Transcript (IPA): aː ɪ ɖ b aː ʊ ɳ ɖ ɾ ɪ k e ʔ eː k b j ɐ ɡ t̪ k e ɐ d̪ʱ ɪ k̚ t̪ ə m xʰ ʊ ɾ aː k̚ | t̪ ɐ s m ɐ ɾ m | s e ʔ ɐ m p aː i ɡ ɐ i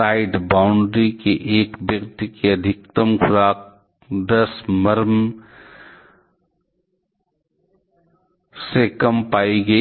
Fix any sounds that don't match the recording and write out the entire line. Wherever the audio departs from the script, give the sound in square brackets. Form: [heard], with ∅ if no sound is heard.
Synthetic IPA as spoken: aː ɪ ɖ b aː ʊ ɳ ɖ ɾ [i] k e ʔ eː k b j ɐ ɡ t̪ k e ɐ d̪ʱ ɪ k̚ t̪ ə m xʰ ʊ ɾ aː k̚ | [d̪] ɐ s m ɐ ɾ m | s e [k] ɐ m p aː i ɡ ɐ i